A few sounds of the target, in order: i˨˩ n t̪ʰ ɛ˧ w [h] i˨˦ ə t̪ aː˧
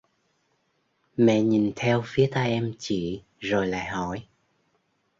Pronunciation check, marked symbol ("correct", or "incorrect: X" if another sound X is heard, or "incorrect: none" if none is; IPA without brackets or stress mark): incorrect: f